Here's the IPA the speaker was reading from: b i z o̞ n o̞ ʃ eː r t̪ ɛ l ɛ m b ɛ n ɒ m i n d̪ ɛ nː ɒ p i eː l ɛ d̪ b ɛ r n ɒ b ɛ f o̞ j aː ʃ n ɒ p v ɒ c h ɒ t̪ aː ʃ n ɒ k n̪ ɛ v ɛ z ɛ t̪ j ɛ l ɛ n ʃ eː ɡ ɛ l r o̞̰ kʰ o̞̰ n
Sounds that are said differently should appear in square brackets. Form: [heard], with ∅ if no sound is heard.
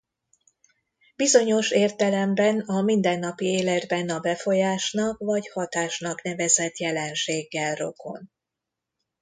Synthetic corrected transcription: b i z o̞ [ɲ] o̞ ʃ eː r t̪ ɛ l ɛ m b ɛ n ɒ m i n d̪ ɛ nː ɒ p i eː l ɛ d̪ b ɛ [∅] n ɒ b ɛ f o̞ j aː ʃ n ɒ [k] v ɒ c h ɒ t̪ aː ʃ n ɒ k n̪ ɛ v ɛ z ɛ t̪ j ɛ l ɛ n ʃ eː [ɡː] ɛ l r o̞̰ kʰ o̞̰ n